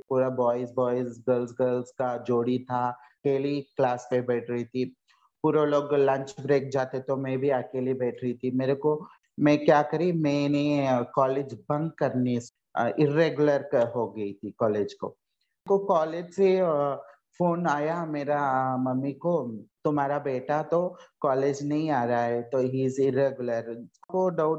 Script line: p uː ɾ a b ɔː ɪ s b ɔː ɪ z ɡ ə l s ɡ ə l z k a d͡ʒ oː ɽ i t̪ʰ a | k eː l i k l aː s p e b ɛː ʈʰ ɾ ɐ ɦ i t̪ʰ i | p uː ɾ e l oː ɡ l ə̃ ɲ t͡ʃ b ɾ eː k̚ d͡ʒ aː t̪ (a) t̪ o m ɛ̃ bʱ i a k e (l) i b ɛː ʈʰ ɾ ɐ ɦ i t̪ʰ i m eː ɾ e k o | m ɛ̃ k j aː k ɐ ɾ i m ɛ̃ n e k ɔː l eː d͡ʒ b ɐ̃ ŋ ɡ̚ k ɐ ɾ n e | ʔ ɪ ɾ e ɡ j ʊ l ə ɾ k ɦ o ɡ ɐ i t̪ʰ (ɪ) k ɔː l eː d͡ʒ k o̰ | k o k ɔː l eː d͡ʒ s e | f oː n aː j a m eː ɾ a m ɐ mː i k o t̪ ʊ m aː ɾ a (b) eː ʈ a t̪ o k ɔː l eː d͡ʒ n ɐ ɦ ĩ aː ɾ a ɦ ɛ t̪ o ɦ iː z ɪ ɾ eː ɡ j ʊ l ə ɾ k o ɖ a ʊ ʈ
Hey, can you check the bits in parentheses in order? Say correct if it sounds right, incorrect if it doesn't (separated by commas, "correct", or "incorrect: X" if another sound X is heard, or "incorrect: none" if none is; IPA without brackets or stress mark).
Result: incorrect: e, correct, incorrect: i, correct